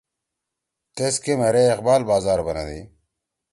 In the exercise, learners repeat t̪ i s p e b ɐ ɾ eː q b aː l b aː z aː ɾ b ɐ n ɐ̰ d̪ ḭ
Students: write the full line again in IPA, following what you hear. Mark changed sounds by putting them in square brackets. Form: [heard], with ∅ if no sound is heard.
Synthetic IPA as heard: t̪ [e] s [k] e [m] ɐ ɾ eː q b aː l b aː z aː ɾ b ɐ n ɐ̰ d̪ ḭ